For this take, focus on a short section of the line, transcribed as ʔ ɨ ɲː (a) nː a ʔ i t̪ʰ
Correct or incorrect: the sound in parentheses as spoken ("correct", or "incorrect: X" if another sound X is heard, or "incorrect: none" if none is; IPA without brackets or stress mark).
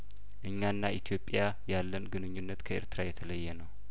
correct